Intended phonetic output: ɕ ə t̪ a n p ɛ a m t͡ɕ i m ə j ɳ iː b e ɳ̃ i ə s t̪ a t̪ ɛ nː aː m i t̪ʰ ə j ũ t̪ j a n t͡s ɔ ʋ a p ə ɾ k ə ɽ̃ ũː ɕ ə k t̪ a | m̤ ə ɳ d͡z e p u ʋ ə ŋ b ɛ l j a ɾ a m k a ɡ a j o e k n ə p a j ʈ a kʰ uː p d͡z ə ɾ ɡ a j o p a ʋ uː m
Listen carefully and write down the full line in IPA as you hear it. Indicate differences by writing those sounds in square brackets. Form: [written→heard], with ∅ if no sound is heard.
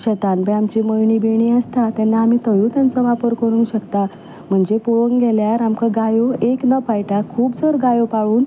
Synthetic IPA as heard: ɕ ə t̪ a n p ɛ a m t͡ɕ i m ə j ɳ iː b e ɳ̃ i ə s t̪ a t̪ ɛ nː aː m i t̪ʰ ə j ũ t̪ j a n t͡s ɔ ʋ a p ə ɾ k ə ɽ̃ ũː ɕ ə k t̪ a | m̤ ə ɳ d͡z e p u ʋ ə ŋ [b→ɡ] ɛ l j a ɾ a m k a ɡ a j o e k n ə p a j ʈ a kʰ uː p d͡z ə ɾ ɡ a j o p a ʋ uː [m→n]